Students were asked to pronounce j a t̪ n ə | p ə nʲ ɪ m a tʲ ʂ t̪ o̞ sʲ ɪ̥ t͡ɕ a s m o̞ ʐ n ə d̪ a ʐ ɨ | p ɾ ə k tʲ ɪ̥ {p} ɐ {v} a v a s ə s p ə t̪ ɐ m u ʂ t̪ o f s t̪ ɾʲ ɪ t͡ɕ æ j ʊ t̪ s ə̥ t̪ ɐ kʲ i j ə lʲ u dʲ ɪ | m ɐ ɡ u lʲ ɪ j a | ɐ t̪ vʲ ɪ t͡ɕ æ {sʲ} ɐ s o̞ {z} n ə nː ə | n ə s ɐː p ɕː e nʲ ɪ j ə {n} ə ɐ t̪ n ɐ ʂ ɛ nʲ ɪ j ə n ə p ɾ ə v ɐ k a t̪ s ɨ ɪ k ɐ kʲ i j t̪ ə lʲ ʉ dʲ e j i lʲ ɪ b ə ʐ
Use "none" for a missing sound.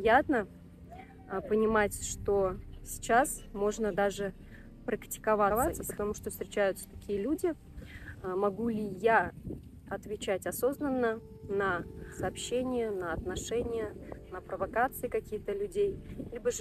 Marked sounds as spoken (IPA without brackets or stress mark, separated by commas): k, v, tʲ, z, n